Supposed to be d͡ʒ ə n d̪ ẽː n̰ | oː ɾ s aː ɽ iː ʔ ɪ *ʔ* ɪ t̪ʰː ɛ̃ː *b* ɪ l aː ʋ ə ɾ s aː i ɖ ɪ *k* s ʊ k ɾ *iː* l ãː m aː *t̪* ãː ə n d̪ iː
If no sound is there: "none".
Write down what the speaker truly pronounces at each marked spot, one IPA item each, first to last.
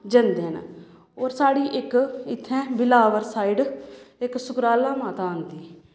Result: k, b, k, aː, t̪

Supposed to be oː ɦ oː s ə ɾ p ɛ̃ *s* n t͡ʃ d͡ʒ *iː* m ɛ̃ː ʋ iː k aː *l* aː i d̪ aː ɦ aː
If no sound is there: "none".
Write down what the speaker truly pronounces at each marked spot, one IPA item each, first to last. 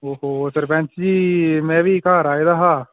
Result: none, iː, ɾ

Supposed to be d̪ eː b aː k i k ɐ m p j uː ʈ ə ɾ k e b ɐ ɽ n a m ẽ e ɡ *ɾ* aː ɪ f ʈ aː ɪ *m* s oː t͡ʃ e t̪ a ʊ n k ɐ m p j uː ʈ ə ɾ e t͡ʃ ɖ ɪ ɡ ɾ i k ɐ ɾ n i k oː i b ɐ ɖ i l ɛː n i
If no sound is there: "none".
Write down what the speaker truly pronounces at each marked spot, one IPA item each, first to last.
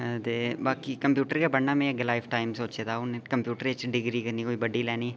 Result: l, m

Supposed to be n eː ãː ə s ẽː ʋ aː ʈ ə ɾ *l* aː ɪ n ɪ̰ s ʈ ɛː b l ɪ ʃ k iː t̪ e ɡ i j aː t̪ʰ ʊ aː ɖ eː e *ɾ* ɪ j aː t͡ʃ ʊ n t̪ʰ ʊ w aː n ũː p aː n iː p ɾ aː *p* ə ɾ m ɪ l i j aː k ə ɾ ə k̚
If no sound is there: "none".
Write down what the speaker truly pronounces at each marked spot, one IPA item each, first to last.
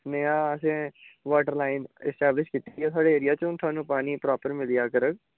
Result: l, ɾ, p

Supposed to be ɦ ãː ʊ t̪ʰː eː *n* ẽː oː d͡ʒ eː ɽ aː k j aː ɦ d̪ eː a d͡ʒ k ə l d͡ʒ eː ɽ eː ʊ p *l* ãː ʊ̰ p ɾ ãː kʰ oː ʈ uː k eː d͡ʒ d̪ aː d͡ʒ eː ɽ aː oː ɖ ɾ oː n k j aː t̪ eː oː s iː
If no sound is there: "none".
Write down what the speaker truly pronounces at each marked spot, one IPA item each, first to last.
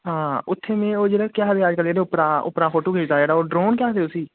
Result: m, ɾ

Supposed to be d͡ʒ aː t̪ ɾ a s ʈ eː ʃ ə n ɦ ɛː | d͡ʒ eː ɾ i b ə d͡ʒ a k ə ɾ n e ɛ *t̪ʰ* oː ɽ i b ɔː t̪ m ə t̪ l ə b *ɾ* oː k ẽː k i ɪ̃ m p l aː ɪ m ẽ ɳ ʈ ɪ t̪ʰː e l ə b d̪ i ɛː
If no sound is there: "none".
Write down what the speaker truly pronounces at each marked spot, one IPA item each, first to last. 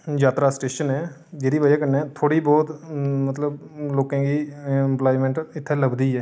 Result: t̪ʰ, l

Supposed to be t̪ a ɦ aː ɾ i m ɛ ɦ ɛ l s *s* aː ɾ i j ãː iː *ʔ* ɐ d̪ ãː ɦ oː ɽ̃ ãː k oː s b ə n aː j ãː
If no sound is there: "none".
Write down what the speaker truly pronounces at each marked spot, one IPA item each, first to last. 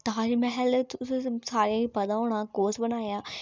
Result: s, p

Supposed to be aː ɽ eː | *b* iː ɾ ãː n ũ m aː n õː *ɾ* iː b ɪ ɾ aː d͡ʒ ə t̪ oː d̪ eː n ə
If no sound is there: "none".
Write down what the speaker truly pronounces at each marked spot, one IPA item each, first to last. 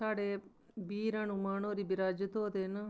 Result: b, ɾ

